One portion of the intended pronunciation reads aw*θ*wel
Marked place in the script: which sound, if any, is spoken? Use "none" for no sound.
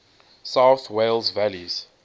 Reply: θ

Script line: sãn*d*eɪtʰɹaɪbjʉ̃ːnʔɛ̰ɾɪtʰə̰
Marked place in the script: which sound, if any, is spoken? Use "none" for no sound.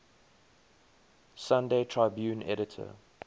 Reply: d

